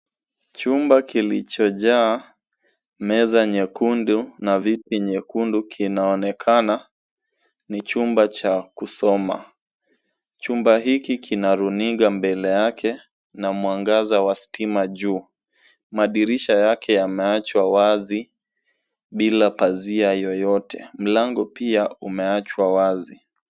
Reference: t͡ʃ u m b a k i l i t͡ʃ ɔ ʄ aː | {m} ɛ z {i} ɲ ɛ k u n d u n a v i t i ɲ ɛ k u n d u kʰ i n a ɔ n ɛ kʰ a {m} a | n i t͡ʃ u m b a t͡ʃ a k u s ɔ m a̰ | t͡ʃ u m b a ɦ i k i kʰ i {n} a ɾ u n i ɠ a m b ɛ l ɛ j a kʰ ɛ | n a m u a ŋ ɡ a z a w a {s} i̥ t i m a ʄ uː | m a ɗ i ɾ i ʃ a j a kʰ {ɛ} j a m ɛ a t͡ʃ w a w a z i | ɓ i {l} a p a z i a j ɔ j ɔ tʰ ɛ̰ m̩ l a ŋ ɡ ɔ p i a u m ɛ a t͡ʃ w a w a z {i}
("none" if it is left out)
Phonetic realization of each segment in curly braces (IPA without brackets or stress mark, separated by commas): m, a, n, n, s, ɛ, l, i